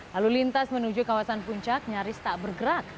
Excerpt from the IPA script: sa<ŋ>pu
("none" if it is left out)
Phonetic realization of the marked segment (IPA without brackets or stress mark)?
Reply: n